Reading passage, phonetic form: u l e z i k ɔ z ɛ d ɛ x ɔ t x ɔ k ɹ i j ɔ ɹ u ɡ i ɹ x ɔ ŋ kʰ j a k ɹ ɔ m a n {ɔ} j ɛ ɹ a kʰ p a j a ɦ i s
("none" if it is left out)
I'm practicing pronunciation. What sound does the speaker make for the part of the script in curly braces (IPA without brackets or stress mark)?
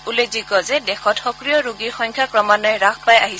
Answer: ɔ